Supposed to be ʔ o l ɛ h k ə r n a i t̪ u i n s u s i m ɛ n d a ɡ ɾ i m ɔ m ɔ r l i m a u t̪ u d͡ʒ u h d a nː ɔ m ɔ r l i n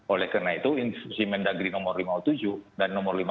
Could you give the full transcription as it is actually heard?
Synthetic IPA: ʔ o l ɛ h k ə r n a i t̪ u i n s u s i m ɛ n d a ɡ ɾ i n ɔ m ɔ r l i m a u t̪ u d͡ʒ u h d a nː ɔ m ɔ r l i m